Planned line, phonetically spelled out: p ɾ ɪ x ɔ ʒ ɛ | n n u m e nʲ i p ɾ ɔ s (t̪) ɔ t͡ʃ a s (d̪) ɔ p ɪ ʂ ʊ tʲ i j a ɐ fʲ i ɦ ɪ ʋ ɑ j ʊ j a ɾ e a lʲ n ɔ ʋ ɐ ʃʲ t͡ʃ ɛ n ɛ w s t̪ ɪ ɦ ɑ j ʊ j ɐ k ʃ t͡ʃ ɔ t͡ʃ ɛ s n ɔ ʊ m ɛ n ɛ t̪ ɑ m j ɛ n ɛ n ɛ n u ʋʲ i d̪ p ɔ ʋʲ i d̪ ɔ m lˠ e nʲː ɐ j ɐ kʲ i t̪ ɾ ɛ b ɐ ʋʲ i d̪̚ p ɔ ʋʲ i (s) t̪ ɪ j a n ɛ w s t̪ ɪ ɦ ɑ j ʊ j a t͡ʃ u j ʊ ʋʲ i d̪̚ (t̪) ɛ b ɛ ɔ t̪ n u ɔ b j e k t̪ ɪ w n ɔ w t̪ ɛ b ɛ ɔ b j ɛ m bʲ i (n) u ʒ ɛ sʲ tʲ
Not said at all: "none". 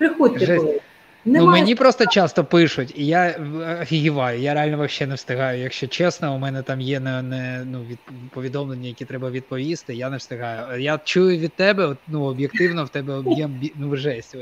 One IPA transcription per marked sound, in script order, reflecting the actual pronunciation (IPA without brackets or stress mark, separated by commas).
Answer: t̪, t̪, s, t̪, n